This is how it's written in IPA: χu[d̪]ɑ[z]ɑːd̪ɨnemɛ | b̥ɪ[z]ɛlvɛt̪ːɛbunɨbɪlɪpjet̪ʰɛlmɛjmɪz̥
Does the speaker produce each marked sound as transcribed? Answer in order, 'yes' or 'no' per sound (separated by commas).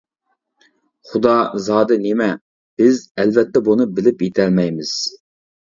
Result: yes, yes, yes